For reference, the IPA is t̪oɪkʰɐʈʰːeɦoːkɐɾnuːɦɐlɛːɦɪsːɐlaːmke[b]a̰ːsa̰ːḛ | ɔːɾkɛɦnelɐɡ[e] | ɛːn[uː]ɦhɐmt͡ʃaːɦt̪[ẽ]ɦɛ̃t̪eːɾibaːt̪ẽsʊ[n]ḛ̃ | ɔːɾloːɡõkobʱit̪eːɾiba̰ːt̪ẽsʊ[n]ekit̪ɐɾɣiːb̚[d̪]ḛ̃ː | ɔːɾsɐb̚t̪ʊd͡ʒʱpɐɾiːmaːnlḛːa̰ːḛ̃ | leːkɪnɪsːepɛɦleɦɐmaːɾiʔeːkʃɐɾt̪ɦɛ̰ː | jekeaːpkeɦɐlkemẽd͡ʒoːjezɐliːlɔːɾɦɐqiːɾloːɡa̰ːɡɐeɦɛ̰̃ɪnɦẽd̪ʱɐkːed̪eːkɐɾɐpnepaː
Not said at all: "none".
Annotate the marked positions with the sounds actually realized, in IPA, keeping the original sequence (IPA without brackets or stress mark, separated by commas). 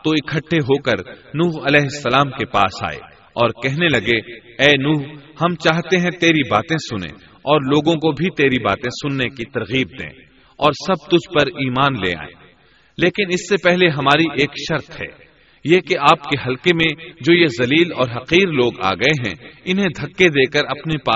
p, e, uː, e, n, nː, d̪